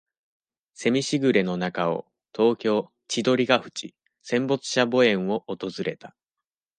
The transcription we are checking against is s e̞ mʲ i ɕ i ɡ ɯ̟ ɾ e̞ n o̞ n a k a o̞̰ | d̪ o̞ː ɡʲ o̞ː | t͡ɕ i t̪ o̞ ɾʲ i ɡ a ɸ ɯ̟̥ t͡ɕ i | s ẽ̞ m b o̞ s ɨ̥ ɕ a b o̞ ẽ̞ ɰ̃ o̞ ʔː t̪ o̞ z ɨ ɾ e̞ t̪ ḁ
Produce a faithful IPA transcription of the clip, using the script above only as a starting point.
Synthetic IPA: s e̞ mʲ i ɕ i ɡ ɯ̟ ɾ e̞ n o̞ n a k a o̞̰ | t̪ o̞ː kʲ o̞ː | t͡ɕ i d̪ o̞ ɾʲ i ɡ a ɸ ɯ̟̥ t͡ɕ i | s ẽ̞ m b o̞ t͡s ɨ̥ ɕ a b o̞ ẽ̞ ɰ̃ o̞ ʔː t̪ o̞ z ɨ ɾ e̞ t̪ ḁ